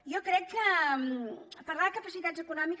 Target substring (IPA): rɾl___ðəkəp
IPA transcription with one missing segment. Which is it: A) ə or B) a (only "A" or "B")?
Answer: B